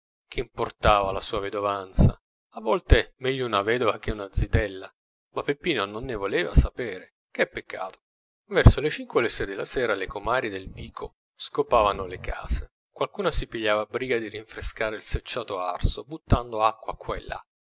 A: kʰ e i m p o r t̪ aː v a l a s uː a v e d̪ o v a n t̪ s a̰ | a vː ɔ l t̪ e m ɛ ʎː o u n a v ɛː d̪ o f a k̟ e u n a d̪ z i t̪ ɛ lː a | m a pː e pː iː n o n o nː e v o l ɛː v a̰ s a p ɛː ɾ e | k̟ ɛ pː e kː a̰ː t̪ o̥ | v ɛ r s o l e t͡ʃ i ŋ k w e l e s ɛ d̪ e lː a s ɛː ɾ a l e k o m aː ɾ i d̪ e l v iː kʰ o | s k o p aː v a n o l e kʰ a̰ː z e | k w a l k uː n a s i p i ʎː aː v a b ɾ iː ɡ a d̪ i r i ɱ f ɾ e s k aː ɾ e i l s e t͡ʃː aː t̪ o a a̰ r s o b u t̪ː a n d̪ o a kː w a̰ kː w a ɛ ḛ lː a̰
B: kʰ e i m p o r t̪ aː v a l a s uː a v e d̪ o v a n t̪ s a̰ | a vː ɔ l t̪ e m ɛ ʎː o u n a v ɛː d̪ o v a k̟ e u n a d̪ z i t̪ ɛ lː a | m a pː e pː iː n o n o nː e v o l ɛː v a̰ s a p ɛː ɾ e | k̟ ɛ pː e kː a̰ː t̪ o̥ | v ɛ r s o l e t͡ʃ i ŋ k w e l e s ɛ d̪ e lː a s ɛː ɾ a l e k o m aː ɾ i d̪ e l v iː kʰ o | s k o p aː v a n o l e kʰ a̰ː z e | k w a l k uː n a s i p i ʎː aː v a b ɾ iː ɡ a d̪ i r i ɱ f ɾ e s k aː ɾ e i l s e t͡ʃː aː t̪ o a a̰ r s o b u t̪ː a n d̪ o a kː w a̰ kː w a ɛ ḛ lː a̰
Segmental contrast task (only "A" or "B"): B